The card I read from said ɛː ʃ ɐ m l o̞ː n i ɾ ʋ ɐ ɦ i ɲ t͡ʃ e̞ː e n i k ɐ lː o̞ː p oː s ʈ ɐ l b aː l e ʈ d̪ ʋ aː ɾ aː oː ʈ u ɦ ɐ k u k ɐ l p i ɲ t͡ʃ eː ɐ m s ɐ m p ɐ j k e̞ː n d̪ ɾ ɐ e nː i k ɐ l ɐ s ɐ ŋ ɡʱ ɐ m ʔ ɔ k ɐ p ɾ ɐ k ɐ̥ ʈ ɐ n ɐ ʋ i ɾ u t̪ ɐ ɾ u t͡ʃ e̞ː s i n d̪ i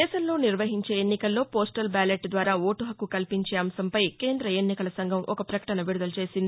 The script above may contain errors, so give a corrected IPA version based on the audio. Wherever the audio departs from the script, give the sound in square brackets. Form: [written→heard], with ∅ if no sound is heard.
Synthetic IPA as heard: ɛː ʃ ɐ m l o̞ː n i ɾ ʋ ɐ ɦ i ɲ t͡ʃ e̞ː e [n→nː] i k ɐ lː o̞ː p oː s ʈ ɐ l b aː l e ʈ d̪ ʋ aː ɾ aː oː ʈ u ɦ ɐ k u k ɐ l p i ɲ t͡ʃ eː ɐ m s ɐ m p ɐ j k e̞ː n d̪ ɾ ɐ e nː i k ɐ l ɐ s ɐ ŋ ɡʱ ɐ m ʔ ɔ k ɐ p ɾ ɐ k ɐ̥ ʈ ɐ n ɐ ʋ i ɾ u [t̪→d̪] ɐ [ɾ→l] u t͡ʃ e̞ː s i n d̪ i